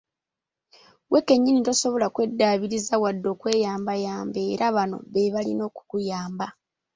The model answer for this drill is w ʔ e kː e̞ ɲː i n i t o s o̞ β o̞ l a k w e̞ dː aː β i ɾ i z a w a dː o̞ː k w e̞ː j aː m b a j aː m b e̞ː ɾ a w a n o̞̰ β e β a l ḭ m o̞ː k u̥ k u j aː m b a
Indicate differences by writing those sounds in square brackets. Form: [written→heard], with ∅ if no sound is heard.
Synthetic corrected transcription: w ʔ e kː e̞ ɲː i n i t o s o̞ β o̞ l a k w e̞ dː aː β i ɾ i z a w a dː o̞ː k w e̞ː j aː m b a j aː m b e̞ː ɾ a [w→β] a n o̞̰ β e β a l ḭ [m→n] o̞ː k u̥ k u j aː m b a

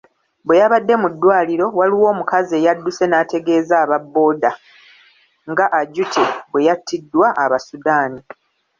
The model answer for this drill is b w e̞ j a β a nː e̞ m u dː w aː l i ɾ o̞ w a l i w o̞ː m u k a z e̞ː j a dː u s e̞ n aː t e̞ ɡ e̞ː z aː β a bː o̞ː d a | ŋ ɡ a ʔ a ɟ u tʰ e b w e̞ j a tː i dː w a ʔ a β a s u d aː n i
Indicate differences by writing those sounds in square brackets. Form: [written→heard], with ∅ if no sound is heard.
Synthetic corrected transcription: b w e̞ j a β a [nː→dː] e̞ m u dː w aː l i ɾ o̞ w a l i w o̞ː m u k a z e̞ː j a dː u s e̞ n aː t e̞ ɡ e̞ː z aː β a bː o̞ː d a | ŋ ɡ a ʔ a ɟ u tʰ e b w e̞ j a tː i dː w a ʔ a β a s u d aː n i

